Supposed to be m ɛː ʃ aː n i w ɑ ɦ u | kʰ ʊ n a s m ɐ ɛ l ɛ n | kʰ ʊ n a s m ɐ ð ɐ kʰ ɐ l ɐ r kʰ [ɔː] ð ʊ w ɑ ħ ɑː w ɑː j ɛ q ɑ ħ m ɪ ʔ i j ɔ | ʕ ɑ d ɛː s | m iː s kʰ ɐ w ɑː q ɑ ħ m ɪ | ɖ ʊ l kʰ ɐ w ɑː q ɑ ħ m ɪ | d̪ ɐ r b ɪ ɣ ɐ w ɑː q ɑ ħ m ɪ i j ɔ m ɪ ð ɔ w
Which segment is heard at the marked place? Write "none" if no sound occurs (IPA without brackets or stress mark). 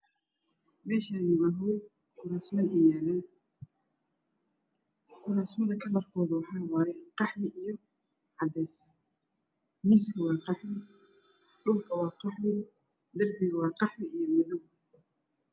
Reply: ɔː